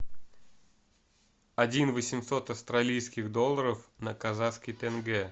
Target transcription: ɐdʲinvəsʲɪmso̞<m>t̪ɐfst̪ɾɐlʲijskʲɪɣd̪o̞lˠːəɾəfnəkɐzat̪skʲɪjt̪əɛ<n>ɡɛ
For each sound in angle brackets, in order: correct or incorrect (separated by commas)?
incorrect, correct